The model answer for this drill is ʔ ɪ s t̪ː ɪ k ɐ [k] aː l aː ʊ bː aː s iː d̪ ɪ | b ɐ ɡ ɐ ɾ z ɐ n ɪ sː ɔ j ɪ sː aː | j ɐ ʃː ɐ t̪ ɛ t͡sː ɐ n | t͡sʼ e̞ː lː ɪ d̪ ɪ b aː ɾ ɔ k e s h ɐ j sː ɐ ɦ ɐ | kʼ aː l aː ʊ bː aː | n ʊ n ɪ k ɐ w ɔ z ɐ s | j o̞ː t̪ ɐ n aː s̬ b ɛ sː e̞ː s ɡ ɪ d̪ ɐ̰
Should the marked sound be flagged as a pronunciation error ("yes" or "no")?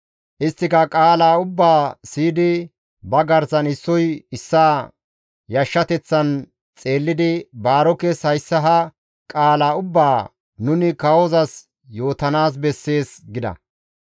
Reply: yes